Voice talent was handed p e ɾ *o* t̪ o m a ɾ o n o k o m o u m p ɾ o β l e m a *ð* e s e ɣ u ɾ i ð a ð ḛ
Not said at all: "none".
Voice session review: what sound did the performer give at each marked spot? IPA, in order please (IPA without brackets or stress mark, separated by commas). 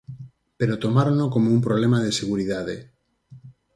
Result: o, ð